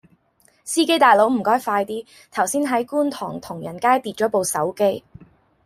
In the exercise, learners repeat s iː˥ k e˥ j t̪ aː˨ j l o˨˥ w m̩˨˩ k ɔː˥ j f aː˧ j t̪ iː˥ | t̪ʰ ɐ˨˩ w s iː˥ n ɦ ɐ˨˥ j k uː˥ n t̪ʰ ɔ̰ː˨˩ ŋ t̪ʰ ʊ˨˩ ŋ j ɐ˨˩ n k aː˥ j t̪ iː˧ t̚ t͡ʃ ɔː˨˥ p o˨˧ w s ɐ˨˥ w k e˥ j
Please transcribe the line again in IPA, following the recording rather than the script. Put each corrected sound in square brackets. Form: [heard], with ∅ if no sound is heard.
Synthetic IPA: s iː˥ k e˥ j t̪ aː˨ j l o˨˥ w m̩˨˩ k ɔː˥ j f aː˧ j t̪ iː˥ | t̪ʰ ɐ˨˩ w s iː˥ n ɦ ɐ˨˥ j k uː˥ n t̪ʰ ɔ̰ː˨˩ ŋ t̪ʰ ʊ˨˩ ŋ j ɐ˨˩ n k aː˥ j t̪ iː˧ t̚ t͡ʃ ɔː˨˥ p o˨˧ w s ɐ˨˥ w k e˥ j